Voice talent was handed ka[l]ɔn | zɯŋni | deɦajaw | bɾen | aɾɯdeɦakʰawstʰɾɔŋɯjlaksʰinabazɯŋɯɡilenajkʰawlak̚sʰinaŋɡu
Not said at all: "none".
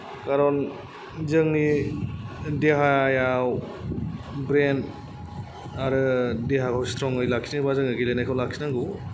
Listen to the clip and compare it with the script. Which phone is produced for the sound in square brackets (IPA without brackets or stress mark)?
ɾ